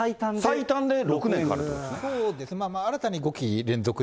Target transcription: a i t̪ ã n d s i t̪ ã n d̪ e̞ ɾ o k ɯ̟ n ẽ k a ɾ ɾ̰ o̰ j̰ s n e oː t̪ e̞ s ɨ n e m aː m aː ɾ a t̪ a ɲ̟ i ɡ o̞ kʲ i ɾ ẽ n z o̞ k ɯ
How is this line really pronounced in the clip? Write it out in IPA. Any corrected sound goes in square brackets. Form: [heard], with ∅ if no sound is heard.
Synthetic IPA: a i t̪ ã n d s i t̪ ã n d̪ e̞ ɾ o k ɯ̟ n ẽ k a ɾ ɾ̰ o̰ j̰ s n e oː [d̪] e̞ s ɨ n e m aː m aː ɾ a t̪ a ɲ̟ i ɡ o̞ kʲ i ɾ ẽ n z o̞ k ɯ